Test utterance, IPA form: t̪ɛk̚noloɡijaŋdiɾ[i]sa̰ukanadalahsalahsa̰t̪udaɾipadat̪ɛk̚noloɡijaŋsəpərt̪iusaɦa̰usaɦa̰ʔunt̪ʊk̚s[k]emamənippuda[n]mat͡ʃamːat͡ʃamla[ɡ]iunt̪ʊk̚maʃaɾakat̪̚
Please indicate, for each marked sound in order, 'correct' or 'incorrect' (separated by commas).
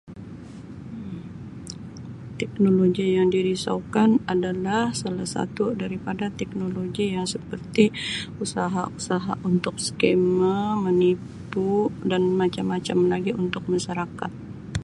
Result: correct, correct, correct, correct